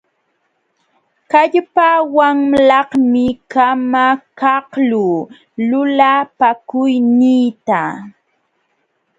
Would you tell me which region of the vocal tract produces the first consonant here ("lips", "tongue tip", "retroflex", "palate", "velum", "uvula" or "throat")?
velum